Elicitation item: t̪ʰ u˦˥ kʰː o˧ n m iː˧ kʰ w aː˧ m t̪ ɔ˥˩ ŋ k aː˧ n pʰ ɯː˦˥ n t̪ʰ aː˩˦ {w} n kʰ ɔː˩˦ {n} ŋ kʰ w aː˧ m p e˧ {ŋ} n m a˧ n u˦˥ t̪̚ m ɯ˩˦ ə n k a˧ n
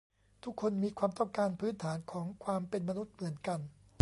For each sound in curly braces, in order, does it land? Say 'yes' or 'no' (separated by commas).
no, no, no